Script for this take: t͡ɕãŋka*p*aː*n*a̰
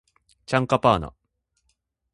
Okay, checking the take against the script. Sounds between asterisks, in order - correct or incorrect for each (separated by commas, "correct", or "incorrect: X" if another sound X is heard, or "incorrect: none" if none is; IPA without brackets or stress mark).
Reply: correct, correct